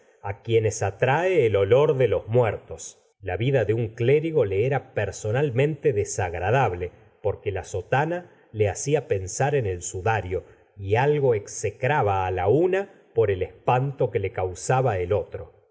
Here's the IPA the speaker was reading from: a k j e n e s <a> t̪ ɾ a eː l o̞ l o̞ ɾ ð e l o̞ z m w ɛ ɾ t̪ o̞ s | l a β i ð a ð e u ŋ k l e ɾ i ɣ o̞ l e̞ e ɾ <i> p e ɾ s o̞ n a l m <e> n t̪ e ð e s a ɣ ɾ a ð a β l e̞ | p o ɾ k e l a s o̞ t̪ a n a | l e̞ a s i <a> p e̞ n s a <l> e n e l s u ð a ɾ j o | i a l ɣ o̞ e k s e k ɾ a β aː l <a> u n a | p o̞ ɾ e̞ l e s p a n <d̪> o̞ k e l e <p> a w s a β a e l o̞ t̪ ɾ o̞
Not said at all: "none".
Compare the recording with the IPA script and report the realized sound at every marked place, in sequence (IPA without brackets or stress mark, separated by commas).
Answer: a, a, ẽ, a, ɾ, a, t̪, k